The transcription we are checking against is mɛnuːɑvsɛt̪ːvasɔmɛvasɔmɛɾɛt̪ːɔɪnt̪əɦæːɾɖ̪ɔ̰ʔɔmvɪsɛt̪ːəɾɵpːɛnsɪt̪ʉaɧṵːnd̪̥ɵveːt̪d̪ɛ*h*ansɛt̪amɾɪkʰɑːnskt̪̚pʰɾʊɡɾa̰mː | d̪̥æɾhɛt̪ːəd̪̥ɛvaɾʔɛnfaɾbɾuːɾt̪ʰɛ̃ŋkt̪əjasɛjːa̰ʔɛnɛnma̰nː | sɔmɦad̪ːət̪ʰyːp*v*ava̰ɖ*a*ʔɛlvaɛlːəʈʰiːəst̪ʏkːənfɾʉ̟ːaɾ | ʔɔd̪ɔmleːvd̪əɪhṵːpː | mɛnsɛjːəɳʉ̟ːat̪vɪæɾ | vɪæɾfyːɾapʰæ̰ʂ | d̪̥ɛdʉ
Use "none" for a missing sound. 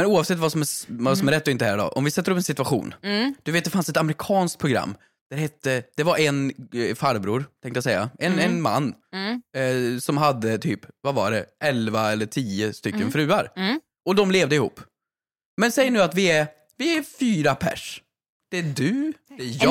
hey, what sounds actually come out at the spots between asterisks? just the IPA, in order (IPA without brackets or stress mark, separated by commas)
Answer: f, v, ɛ